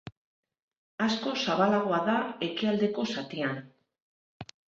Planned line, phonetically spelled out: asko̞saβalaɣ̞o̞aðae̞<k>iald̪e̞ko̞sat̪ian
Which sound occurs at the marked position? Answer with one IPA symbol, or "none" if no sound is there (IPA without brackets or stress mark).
k